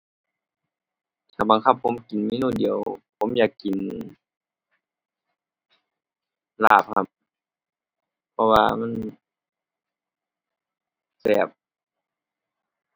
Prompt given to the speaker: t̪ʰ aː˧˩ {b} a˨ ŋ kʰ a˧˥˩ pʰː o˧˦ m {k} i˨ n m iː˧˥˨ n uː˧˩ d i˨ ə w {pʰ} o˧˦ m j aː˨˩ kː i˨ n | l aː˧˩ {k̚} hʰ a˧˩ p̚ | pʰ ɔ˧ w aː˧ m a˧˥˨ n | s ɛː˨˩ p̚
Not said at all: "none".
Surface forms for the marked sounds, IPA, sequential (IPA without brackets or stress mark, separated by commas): b, k, pʰ, p̚